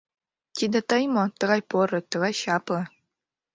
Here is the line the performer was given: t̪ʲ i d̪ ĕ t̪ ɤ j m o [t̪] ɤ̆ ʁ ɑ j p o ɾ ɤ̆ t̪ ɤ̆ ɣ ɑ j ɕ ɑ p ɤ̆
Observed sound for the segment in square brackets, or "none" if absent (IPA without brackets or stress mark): t̪